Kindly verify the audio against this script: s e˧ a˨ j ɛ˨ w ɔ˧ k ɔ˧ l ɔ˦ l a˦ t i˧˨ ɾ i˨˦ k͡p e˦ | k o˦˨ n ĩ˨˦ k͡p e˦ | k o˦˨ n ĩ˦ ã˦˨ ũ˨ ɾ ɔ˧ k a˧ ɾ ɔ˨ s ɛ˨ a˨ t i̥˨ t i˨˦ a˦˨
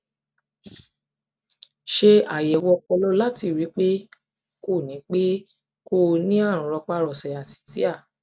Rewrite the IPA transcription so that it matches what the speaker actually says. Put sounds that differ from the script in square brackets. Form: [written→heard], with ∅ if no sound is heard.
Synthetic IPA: [s→ʃ] e˧ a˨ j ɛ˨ w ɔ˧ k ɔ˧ l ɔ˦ l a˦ t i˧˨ ɾ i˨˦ k͡p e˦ | k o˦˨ n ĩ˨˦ k͡p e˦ | k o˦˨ n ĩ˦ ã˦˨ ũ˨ ɾ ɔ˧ [k→k͡p] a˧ ɾ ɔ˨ s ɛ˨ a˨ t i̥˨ t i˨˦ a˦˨